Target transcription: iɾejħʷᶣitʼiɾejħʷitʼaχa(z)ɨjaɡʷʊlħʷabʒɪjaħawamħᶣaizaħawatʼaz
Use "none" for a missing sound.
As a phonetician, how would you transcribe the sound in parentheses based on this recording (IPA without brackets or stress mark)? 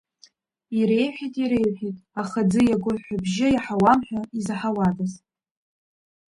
d͡z